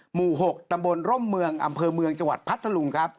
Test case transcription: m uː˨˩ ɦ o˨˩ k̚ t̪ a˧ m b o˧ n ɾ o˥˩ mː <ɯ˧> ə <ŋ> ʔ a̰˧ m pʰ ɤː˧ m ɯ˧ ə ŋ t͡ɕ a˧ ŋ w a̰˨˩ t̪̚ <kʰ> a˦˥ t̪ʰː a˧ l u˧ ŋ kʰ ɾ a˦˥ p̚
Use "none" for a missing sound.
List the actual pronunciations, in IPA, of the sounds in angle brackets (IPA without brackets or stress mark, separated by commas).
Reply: ɯ˧, ŋ, pʰ